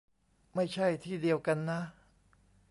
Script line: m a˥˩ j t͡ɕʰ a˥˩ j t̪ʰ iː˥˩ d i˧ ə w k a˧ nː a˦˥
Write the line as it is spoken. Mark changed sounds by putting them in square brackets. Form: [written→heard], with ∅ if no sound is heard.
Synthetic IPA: m a˥˩ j t͡ɕʰ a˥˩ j t̪ʰ iː˥˩ d i˧ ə w k a˧ nː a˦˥